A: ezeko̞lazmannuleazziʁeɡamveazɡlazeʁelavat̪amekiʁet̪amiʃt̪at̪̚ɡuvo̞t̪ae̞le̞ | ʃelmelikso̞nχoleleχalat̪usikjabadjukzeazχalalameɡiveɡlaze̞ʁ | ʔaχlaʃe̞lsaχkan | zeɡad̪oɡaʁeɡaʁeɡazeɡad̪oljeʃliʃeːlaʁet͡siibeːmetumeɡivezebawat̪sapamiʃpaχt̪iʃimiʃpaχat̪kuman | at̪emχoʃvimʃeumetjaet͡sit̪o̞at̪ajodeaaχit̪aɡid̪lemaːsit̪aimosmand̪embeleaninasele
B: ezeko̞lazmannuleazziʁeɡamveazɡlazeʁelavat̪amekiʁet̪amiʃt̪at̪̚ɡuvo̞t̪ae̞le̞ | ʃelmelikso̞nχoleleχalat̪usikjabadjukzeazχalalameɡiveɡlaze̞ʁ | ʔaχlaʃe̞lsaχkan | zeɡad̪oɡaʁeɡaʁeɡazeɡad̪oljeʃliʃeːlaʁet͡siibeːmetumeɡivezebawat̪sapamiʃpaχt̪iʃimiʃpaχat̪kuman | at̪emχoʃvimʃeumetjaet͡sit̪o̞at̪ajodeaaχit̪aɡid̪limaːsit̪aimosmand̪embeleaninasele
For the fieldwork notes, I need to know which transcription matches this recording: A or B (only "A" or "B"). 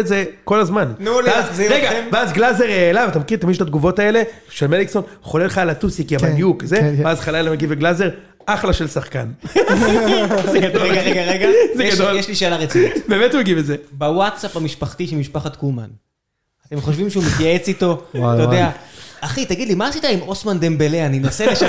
B